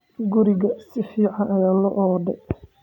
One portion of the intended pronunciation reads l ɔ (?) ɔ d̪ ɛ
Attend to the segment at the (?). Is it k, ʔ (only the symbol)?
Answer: ʔ